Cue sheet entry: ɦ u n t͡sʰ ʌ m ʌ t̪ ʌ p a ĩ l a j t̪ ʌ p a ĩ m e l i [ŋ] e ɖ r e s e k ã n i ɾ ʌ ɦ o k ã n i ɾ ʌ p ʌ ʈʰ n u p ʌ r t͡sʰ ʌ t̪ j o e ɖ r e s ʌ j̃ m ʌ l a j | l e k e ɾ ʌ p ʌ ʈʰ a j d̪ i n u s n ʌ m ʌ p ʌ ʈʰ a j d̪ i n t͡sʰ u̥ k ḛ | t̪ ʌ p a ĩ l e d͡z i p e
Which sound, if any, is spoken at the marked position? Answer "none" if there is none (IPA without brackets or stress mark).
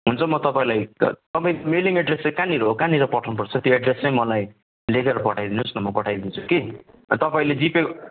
ŋ